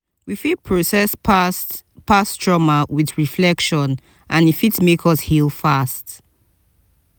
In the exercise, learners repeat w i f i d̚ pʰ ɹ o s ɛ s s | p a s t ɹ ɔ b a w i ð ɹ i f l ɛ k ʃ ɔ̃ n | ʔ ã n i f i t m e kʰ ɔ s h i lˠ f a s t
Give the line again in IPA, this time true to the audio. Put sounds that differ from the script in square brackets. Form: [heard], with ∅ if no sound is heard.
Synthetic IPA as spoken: w i f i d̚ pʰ ɹ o s ɛ s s | p a s t ɹ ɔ [m] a w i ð ɹ i f l ɛ k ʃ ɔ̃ n | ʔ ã n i f i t m e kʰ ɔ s h i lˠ f a s t